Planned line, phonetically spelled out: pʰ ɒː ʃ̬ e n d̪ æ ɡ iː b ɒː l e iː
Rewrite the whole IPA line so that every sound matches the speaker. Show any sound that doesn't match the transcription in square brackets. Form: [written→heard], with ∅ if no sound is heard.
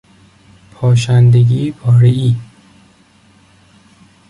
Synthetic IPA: pʰ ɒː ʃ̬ [e→æ] n d̪ [æ→e] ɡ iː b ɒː [l→ɾ] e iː